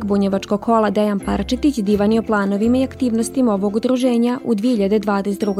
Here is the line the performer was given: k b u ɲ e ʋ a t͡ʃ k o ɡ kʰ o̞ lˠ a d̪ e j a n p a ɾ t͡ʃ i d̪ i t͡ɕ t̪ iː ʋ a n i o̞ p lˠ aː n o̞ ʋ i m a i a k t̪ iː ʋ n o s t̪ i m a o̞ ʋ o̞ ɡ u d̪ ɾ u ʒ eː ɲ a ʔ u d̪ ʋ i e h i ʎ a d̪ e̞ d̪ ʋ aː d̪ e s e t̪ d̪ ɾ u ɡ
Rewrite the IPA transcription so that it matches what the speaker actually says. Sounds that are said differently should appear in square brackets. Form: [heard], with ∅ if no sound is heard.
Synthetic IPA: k b u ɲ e ʋ a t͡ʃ k o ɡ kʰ o̞ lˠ a d̪ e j a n p a ɾ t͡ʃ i [t̪] i t͡ɕ [d̪] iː ʋ a n i o̞ p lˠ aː n o̞ ʋ i m a i a k t̪ iː ʋ n o s t̪ i m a o̞ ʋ o̞ ɡ u d̪ ɾ u ʒ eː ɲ a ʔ u d̪ ʋ i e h i ʎ a d̪ e̞ d̪ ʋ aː d̪ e s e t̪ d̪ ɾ u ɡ